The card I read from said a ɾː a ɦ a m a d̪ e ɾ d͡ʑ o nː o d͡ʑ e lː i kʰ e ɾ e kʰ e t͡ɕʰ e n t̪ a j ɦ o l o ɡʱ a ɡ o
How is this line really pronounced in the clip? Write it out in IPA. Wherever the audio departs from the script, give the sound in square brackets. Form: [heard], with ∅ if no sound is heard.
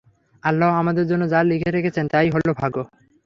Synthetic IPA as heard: a [lː] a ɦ a m a d̪ e ɾ d͡ʑ o nː o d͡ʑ [a] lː i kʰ e ɾ e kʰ e t͡ɕʰ e n t̪ a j ɦ o l o [bʱ] a ɡ o